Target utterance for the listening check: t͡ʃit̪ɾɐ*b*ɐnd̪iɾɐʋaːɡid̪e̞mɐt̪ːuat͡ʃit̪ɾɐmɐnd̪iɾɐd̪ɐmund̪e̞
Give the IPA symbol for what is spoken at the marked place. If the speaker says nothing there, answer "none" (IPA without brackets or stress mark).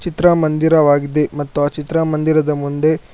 m